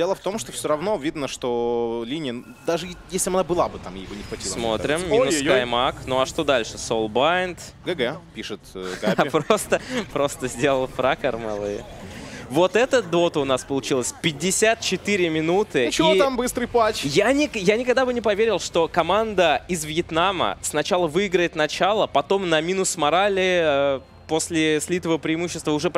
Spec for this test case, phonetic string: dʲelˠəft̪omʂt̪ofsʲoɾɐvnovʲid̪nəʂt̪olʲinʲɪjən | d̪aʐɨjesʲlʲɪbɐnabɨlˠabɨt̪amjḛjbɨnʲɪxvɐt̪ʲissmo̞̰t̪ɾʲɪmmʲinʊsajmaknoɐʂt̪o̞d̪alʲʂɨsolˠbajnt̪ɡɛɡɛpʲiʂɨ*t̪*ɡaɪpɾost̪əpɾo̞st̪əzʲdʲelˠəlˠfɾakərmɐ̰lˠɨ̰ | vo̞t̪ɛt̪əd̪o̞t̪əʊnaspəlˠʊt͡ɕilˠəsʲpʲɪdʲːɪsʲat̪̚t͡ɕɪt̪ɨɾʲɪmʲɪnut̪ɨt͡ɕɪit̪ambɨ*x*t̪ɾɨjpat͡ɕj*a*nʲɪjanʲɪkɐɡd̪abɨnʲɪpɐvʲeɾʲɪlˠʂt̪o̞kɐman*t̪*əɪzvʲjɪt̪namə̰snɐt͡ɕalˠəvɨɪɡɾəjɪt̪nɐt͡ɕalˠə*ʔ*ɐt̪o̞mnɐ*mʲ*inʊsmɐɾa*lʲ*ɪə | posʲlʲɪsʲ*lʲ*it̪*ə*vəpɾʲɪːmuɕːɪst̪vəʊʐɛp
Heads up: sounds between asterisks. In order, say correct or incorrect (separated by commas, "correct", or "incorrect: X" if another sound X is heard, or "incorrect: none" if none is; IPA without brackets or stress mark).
correct, incorrect: s, correct, incorrect: d̪, incorrect: p, correct, correct, correct, correct